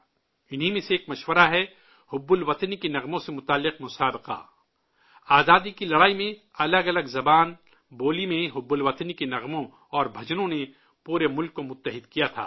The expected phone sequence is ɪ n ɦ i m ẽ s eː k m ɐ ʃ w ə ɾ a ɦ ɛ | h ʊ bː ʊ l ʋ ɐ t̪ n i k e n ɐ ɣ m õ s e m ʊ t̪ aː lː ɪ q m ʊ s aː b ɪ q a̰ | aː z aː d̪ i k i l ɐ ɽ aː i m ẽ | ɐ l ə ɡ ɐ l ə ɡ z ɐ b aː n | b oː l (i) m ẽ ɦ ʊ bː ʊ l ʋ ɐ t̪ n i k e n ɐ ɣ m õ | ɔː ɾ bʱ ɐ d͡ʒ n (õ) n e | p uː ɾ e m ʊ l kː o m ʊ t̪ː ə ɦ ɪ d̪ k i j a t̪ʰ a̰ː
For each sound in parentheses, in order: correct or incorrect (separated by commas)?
correct, correct